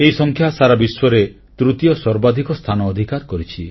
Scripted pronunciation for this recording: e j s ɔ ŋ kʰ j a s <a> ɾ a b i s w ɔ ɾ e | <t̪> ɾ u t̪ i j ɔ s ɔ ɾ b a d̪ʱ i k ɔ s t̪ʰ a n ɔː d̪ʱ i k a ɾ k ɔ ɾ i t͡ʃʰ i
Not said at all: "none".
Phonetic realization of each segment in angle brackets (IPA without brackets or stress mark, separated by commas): a, t̪